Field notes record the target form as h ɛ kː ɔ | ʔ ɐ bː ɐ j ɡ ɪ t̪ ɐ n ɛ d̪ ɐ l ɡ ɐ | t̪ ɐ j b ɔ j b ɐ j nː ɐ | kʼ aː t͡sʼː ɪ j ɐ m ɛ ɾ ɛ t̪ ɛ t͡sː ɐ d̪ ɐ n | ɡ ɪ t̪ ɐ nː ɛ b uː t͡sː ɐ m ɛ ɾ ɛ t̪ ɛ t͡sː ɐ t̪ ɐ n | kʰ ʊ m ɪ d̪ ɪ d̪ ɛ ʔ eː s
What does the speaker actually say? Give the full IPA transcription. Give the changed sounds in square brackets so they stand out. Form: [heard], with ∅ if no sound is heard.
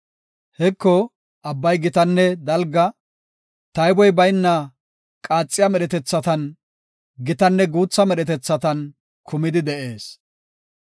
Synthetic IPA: h ɛ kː ɔ | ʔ ɐ bː ɐ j ɡ ɪ t̪ ɐ [nː] ɛ d̪ ɐ l ɡ ɐ | t̪ ɐ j b ɔ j b ɐ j nː ɐ | kʼ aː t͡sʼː ɪ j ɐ m ɛ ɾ ɛ t̪ ɛ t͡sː ɐ [t̪] ɐ n | ɡ ɪ t̪ ɐ nː ɛ [ɡ] uː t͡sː ɐ m ɛ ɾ ɛ t̪ ɛ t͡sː ɐ t̪ ɐ n | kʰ ʊ m ɪ d̪ ɪ d̪ ɛ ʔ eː s